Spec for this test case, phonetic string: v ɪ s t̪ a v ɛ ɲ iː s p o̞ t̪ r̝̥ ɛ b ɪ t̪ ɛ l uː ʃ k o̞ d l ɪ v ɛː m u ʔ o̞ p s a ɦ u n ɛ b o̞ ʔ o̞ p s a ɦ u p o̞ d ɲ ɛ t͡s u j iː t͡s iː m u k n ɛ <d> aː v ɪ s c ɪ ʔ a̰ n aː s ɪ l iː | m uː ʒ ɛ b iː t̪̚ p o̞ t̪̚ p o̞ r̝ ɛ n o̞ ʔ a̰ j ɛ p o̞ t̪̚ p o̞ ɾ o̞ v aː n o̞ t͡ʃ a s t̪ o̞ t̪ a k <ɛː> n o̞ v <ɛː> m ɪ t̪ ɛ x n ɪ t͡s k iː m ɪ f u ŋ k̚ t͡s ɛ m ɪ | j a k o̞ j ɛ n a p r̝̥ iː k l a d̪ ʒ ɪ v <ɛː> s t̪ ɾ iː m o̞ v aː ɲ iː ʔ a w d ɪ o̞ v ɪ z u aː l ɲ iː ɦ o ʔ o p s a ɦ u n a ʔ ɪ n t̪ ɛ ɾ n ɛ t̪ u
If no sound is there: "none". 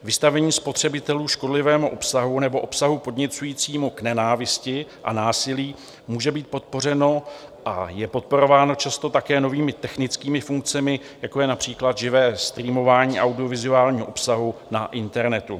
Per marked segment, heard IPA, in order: n, ɛː, iː, ɛː

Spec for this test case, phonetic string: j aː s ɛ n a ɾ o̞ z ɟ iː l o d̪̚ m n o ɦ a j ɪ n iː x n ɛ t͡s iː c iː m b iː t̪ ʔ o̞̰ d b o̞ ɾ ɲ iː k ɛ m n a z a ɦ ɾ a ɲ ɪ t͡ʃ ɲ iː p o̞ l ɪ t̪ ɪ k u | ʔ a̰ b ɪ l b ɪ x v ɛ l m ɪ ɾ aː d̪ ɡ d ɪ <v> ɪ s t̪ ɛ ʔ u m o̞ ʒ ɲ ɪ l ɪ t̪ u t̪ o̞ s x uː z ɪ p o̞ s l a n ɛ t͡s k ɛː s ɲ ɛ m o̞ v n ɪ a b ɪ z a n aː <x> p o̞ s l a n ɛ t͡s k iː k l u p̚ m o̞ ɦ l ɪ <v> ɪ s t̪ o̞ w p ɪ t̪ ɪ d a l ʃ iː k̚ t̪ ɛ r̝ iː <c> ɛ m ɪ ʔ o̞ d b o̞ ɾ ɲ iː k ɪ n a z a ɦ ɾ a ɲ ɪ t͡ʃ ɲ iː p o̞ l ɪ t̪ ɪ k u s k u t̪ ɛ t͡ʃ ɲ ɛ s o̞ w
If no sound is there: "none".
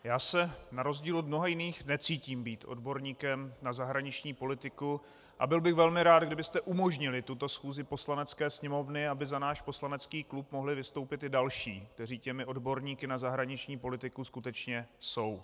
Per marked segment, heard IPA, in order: b, ʃ, v, c

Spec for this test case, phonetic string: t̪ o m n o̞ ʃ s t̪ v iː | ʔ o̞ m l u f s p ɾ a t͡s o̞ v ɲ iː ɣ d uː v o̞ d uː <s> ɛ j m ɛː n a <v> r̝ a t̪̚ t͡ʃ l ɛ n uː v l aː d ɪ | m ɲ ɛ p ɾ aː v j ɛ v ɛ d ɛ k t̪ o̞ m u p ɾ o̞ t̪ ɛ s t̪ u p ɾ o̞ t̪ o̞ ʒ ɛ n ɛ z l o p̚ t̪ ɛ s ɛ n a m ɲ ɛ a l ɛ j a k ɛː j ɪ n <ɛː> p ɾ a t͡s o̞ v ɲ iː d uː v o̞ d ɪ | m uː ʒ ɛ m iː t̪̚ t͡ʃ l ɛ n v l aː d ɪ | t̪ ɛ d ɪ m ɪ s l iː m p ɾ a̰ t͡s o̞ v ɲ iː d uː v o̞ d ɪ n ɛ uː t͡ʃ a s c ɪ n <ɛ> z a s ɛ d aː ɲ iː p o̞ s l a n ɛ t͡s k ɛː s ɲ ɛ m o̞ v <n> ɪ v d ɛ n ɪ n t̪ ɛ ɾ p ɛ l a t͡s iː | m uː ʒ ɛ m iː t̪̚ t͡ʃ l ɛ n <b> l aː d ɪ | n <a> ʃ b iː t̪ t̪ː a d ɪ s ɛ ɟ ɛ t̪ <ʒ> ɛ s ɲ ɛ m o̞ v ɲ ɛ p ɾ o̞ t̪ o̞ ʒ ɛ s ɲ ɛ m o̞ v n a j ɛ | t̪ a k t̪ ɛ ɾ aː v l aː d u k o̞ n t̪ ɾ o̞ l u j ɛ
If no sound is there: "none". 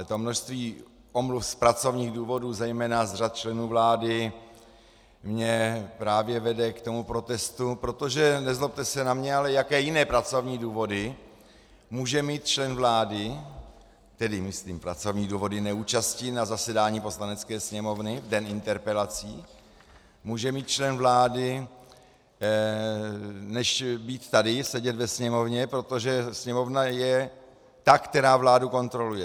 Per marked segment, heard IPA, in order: z, z, ɛː, a, n, v, ɛ, v

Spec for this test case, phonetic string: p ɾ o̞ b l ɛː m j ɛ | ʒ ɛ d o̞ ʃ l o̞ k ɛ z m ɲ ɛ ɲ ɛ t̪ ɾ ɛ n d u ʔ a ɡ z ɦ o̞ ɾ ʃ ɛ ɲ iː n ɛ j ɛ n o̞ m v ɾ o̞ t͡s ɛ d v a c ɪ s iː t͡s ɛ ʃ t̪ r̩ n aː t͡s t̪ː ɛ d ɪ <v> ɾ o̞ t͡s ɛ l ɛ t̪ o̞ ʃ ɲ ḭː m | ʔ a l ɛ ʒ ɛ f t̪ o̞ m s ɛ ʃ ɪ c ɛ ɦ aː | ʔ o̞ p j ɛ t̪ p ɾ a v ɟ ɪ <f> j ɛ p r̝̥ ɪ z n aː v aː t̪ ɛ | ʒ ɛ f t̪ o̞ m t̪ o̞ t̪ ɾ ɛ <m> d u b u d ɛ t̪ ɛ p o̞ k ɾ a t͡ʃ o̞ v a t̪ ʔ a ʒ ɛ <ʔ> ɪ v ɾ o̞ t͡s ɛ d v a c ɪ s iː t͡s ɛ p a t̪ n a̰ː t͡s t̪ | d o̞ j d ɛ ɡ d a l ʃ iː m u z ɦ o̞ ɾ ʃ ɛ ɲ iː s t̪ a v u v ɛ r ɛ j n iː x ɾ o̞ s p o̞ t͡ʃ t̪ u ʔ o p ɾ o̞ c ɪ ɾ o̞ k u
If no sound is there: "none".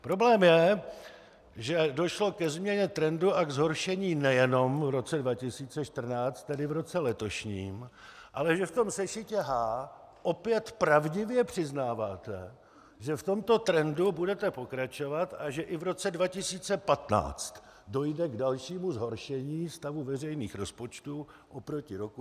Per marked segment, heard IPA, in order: v, v, n, ʔ

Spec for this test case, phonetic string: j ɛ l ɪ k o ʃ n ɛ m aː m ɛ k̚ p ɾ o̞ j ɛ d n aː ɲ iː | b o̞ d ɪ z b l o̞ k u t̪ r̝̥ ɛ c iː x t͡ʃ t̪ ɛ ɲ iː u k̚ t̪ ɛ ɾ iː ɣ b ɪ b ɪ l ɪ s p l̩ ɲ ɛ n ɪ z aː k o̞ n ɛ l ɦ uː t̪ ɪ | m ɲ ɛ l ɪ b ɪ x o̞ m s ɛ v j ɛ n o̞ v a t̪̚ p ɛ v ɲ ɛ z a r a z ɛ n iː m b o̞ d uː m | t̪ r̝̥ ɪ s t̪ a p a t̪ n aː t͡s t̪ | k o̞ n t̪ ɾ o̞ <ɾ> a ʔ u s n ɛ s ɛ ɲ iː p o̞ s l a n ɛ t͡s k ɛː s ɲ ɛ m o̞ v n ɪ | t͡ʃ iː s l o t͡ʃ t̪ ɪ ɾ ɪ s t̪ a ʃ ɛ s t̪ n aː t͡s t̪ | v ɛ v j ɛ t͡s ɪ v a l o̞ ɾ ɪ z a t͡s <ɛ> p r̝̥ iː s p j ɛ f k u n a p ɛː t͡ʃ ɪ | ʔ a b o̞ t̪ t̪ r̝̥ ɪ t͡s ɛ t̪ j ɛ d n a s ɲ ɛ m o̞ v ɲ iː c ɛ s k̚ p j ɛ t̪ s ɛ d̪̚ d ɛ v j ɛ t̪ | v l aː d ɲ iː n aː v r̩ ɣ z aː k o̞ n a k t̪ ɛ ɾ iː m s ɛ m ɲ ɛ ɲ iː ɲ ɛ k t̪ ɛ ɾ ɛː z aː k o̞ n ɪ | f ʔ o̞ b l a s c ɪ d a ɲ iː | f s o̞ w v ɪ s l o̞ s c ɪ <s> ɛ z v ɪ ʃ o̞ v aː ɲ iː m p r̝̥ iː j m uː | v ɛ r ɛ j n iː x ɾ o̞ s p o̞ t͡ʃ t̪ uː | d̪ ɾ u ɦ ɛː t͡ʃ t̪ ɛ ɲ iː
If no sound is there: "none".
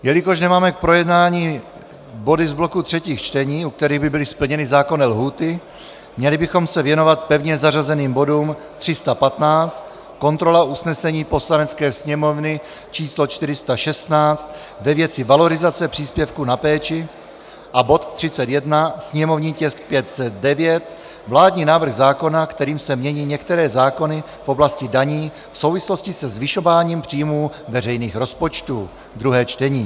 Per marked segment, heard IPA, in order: l, ɛ, s

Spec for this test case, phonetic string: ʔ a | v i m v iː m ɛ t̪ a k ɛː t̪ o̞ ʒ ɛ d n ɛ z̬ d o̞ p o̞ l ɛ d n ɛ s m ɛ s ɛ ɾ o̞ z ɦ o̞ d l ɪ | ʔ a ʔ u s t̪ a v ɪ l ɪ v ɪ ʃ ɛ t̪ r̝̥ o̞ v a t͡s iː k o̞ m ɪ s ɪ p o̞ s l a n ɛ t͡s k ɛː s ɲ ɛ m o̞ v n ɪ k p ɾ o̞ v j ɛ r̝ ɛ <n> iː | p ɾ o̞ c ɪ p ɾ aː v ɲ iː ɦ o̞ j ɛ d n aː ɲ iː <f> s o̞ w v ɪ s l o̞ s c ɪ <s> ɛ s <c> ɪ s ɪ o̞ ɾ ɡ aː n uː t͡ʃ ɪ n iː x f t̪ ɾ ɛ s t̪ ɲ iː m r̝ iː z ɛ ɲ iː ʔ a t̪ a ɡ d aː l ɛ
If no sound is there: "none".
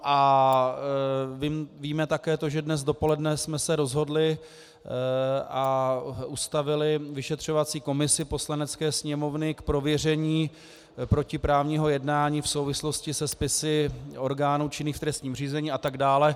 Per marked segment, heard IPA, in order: ɲ, f, s, p

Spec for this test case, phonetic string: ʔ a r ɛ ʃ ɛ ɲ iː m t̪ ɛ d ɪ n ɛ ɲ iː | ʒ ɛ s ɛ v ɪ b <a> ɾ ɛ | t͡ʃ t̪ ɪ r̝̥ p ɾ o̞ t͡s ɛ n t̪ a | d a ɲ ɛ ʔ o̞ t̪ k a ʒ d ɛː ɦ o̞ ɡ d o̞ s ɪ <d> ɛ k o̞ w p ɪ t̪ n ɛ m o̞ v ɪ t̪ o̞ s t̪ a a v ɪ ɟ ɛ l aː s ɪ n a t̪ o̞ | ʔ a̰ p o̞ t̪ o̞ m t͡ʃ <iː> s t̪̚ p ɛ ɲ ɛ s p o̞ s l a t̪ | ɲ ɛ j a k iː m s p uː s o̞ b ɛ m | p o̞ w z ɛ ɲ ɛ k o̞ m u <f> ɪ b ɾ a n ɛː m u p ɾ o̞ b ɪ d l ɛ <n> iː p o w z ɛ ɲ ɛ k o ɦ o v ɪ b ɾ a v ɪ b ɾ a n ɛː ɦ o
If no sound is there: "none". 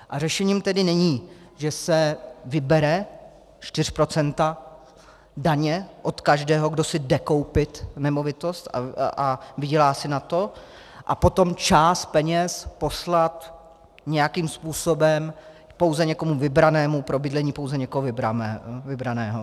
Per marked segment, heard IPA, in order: ɛ, d, aː, v, ɲ

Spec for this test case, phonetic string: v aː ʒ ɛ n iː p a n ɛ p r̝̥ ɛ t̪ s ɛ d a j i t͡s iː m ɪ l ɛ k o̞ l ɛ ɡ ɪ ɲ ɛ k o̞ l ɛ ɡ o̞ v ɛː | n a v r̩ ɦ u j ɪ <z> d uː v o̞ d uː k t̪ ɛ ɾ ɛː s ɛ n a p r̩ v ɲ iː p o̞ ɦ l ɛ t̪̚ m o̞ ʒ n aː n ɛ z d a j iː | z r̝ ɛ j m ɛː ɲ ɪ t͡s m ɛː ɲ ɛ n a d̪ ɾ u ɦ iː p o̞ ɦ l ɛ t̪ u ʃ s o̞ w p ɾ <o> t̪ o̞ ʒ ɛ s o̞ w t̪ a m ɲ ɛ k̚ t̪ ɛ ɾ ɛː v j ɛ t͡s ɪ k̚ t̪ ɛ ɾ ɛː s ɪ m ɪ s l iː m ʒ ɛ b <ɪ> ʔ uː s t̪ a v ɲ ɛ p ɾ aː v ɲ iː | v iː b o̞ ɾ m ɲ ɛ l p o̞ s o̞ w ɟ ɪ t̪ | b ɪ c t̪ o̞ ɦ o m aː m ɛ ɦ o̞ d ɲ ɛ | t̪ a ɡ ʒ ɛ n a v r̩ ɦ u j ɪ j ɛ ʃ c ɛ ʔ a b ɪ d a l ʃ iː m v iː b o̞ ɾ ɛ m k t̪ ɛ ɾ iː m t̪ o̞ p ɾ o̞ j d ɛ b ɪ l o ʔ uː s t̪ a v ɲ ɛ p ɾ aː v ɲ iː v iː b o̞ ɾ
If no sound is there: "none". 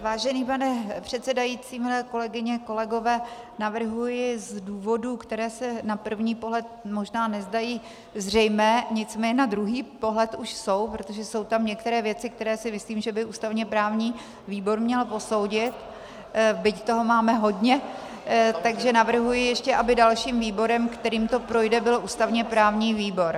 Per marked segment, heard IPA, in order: z, o, ɪ

